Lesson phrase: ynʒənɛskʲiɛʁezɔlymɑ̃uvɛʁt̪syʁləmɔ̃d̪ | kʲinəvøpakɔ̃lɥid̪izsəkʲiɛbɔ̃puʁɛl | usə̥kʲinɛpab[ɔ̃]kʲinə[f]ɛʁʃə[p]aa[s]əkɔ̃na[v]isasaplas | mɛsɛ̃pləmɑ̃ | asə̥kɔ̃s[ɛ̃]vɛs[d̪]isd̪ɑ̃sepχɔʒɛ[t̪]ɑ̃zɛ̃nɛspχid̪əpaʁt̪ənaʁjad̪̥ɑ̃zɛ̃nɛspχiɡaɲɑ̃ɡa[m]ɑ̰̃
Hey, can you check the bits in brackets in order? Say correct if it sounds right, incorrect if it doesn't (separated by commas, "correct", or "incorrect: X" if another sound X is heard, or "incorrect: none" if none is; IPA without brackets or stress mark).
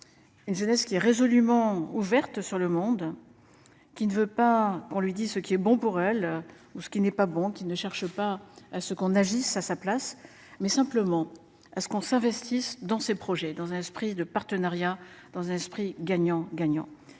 correct, incorrect: ʃ, correct, correct, incorrect: ʒ, correct, incorrect: t̪, incorrect: d̪, incorrect: ɲ